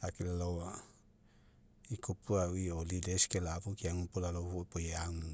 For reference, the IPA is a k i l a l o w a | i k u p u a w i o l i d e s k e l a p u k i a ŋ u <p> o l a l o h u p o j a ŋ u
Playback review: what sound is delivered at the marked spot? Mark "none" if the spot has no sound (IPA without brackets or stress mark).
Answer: p